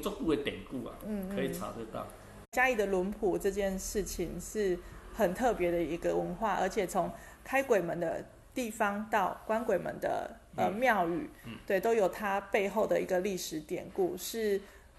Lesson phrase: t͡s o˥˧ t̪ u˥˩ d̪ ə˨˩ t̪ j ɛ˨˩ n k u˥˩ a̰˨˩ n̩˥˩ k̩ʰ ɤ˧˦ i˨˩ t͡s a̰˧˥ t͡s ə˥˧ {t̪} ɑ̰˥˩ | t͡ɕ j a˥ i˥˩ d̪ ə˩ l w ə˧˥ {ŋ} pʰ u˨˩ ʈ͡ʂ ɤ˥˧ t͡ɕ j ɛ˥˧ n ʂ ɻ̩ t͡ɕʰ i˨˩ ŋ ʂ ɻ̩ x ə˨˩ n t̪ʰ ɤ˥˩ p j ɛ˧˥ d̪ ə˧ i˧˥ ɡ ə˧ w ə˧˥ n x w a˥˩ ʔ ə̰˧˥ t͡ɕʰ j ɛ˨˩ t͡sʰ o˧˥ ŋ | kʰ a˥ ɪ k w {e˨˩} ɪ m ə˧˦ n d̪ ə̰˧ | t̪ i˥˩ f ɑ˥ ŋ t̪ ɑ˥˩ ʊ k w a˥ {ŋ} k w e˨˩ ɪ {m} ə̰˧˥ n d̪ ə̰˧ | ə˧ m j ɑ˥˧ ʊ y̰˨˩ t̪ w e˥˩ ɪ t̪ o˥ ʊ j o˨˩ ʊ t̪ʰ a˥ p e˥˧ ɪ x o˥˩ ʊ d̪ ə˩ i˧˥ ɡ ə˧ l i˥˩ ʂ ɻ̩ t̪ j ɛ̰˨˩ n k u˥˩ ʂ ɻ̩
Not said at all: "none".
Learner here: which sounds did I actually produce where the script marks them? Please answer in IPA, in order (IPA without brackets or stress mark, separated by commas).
t̪, n, e˨˩, n, m